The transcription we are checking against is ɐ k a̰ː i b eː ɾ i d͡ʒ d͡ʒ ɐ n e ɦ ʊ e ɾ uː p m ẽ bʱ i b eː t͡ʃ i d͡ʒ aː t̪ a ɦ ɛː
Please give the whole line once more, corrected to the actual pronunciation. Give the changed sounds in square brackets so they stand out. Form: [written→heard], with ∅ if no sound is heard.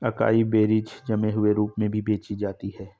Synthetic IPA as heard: ɐ k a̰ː i b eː ɾ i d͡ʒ d͡ʒ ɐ [n→m] e ɦ ʊ e ɾ uː p m ẽ bʱ i b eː t͡ʃ i d͡ʒ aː t̪ [a→i] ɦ ɛː